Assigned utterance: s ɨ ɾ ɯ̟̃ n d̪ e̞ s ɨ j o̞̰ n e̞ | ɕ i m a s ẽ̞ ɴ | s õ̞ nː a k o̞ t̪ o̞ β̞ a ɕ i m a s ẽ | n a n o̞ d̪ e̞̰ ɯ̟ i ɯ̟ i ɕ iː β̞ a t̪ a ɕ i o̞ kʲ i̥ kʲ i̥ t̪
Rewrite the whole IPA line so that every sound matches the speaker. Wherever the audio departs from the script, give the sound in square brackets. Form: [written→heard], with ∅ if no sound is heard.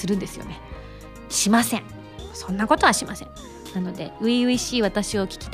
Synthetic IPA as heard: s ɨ ɾ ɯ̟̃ n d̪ e̞ s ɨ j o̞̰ n e̞ | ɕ i m a s ẽ̞ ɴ | s õ̞ nː a k o̞ t̪ o̞ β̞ a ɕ i m a s ẽ | n a n o̞ d̪ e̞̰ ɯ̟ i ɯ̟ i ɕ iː β̞ a t̪ a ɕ i o̞ kʲ i̥ kʲ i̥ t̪